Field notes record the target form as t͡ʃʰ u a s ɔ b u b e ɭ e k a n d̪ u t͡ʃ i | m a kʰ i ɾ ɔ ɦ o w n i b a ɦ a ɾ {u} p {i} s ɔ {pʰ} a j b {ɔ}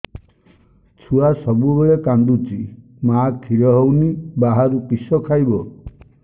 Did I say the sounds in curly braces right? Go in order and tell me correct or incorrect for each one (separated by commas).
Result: correct, correct, incorrect, correct